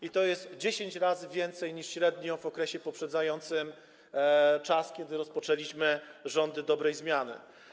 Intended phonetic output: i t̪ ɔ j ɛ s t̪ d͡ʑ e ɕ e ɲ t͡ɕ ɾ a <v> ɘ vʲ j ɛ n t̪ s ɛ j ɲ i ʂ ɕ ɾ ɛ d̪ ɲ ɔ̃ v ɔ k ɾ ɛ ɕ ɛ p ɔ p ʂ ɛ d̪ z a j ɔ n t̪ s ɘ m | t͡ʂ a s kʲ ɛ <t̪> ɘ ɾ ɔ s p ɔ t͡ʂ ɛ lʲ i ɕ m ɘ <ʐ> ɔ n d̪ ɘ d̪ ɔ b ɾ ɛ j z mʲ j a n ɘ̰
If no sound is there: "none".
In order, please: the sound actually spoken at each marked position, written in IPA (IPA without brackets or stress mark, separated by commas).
z, d̪, ʐ